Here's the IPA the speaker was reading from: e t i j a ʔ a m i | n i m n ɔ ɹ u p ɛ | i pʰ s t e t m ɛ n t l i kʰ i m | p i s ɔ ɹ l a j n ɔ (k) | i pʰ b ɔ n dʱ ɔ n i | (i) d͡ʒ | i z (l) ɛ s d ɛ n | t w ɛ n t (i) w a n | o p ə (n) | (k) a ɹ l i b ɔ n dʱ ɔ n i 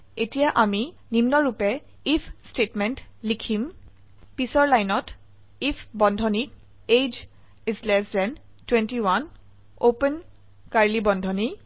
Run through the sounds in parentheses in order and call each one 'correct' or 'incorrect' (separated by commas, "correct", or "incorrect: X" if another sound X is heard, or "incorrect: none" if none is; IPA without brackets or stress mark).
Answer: incorrect: t, incorrect: e, correct, correct, correct, correct